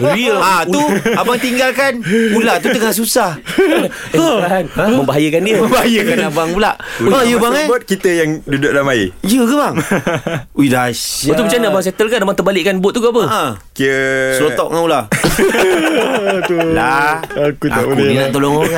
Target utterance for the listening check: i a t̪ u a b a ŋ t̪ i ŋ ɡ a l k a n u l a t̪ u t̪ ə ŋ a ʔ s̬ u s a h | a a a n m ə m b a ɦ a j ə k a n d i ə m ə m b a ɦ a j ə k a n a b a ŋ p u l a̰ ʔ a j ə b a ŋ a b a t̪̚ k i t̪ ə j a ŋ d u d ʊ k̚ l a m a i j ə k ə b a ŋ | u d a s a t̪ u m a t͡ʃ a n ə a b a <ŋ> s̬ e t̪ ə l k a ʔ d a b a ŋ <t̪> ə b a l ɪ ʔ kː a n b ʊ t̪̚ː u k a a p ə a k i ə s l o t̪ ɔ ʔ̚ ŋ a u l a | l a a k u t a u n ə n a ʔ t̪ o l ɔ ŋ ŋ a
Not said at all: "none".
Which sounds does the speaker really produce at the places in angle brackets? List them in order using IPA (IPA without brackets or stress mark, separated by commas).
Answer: ŋ, t̪